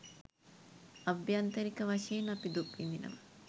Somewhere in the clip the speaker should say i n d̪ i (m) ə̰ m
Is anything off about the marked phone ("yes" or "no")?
yes